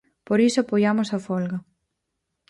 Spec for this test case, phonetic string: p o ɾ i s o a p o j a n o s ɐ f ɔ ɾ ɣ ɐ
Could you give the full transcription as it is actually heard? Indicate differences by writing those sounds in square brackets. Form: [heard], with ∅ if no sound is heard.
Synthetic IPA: p o ɾ i s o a p o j a [m] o s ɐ f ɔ [l] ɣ ɐ